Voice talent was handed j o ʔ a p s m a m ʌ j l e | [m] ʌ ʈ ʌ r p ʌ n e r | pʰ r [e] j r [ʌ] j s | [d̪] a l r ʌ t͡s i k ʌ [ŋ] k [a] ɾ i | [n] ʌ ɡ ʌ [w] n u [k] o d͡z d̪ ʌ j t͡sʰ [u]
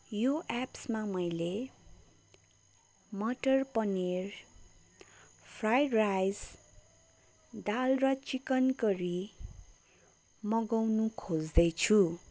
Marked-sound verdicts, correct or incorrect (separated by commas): correct, incorrect, incorrect, correct, incorrect, incorrect, incorrect, correct, incorrect, correct